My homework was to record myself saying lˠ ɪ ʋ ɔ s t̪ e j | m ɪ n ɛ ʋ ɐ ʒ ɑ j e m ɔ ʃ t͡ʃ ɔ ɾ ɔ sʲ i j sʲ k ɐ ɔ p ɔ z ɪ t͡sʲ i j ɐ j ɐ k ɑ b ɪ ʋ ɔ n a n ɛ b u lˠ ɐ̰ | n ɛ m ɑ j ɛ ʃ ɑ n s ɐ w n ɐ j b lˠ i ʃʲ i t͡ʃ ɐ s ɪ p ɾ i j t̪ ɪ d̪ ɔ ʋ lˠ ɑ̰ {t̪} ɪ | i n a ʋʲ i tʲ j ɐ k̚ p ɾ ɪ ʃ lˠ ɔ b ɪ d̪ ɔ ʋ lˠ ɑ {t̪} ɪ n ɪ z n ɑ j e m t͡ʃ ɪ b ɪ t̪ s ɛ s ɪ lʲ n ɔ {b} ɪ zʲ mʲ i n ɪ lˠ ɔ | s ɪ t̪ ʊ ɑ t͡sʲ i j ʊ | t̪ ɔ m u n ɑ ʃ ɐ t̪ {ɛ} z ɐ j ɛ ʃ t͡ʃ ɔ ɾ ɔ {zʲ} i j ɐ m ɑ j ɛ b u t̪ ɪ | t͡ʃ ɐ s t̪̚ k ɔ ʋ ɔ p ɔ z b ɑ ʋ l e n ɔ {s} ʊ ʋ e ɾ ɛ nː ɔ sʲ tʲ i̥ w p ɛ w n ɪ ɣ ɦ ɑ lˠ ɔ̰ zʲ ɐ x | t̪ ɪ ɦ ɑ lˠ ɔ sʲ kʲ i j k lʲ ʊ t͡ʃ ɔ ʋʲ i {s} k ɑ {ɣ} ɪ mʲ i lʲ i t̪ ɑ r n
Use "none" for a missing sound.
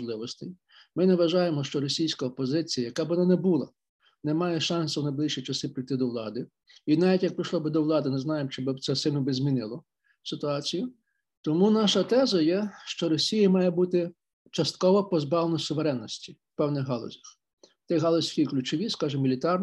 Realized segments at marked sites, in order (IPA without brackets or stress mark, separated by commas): d̪, d̪, b, ɛ, sʲ, s, s, ʒ